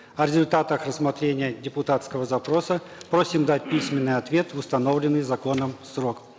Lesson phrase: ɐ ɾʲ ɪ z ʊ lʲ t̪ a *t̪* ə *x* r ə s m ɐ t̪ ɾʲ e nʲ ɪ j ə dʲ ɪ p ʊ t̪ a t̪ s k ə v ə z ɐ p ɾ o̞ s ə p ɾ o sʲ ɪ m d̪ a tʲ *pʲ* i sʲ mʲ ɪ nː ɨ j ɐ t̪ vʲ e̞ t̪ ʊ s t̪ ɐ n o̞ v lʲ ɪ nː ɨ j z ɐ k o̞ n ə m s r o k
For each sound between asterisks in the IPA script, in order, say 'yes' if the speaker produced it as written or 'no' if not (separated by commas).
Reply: yes, yes, yes